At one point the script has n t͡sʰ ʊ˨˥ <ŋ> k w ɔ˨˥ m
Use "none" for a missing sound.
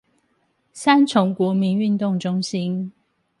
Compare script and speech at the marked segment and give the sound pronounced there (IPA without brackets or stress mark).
ŋ